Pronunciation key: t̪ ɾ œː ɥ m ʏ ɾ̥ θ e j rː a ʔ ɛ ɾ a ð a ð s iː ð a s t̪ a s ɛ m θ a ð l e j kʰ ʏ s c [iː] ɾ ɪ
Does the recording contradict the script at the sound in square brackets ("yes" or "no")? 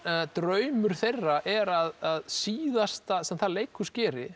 yes